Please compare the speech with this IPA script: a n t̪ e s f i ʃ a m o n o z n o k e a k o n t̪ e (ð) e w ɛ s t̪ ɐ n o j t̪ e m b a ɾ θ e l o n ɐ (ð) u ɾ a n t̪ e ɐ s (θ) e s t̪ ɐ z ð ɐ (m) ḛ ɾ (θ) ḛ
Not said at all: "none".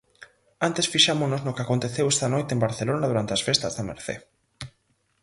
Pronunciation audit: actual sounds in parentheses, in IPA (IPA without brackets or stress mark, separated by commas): θ, ð, f, m, θ